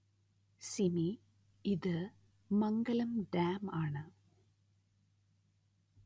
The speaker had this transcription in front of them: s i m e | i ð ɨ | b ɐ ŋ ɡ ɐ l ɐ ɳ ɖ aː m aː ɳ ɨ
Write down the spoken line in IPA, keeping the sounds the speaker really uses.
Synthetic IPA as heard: s i m i | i ð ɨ | m ɐ ŋ ɡ ɐ l ɐ m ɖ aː m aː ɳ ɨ